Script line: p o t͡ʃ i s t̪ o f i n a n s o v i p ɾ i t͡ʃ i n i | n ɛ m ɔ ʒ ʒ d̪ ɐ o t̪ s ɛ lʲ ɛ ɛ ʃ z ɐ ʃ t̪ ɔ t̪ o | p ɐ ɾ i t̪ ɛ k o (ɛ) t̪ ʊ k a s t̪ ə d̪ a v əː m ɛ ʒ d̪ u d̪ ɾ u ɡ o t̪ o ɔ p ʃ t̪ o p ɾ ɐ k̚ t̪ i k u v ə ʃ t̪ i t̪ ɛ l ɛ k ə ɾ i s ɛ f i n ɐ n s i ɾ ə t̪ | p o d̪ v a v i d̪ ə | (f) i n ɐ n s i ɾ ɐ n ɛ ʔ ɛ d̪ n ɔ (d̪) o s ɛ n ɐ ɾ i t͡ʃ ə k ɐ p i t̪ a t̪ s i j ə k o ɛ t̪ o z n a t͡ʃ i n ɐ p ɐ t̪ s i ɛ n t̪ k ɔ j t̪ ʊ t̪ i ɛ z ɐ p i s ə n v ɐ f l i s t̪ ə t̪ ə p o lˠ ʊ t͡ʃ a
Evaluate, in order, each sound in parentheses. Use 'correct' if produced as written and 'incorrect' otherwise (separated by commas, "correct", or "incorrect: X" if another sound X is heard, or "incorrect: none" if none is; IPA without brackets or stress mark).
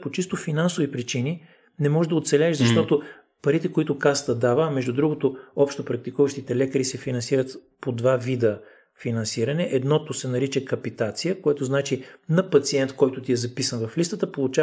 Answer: incorrect: i, correct, incorrect: t̪